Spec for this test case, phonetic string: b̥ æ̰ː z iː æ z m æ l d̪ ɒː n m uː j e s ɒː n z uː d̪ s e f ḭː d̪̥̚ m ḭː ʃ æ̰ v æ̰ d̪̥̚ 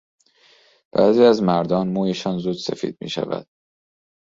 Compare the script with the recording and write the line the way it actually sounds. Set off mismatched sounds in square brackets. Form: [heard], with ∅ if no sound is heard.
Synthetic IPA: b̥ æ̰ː z iː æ z m æ [ɾ] d̪ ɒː n m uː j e [ʃ] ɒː n z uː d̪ s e f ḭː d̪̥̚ m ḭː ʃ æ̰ v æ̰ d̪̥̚